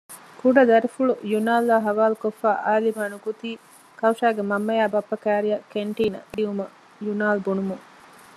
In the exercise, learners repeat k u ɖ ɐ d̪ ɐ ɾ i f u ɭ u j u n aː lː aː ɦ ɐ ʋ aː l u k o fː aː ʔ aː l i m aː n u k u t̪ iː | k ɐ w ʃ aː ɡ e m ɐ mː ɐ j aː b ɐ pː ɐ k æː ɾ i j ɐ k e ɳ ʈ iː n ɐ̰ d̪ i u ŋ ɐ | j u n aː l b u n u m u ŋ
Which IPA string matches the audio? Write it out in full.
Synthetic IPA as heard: k u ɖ ɐ d̪ ɐ ɾ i f u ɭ u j u n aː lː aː ɦ ɐ ʋ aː l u k o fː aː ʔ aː l i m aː n u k u t̪ iː | k ɐ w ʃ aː ɡ e m ɐ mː ɐ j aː b ɐ pː ɐ k æː ɾ i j ɐ k e ɳ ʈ iː n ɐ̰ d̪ i u m ɐ | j u n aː l b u n u m u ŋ